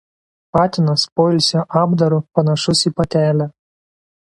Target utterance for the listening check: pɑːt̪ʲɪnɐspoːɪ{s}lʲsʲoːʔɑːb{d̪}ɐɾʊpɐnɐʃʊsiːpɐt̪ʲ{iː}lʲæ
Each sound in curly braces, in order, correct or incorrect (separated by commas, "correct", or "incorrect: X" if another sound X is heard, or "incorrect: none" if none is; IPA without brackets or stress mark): incorrect: none, correct, incorrect: æː